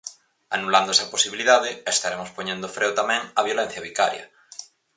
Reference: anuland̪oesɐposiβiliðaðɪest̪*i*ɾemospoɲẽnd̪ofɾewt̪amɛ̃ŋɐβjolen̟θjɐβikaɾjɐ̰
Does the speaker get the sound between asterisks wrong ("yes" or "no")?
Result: yes